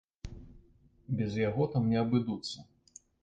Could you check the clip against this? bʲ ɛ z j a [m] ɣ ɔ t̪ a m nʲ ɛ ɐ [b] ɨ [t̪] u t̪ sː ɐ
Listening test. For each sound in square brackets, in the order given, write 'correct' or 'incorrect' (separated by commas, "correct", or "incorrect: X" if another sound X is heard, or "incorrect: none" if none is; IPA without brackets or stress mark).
incorrect: none, correct, incorrect: d̪